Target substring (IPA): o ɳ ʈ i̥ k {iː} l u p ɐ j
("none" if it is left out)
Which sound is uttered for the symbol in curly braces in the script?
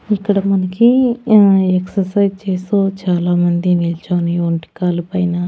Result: aː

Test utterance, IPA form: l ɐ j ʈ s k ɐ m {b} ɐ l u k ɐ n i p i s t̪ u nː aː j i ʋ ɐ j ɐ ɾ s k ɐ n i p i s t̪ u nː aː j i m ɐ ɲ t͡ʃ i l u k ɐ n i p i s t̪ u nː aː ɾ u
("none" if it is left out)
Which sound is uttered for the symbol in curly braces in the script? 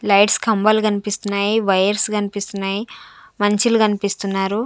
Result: b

